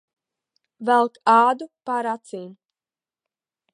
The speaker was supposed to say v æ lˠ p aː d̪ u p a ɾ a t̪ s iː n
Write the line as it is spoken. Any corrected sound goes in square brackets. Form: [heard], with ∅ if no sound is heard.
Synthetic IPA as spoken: v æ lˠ [k] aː d̪ u p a ɾ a t̪ s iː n